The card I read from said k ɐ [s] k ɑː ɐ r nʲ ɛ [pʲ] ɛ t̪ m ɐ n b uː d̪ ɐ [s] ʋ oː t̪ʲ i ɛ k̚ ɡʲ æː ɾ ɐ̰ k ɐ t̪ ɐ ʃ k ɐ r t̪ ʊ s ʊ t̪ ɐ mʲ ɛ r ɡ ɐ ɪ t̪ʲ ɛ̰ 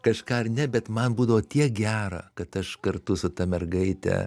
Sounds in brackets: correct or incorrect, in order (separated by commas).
incorrect, incorrect, incorrect